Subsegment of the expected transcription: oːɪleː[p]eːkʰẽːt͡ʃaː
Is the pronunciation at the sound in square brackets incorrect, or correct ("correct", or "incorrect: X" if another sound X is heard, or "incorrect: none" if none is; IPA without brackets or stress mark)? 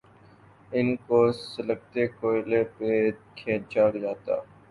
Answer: correct